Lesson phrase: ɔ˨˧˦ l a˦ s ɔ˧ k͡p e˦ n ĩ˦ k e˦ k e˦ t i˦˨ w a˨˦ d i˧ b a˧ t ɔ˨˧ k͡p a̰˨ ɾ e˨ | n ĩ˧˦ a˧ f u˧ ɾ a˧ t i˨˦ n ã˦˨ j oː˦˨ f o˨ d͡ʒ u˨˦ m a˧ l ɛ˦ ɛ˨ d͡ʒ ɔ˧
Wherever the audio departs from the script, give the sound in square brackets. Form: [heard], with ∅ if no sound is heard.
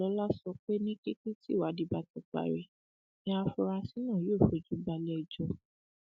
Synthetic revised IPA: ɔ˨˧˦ l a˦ s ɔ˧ k͡p e˦ n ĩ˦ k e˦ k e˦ t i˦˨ w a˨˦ d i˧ b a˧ t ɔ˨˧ k͡p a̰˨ ɾ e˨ | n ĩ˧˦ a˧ f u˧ ɾ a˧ [s] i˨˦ n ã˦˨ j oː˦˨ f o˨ d͡ʒ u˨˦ [b] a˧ l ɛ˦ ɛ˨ d͡ʒ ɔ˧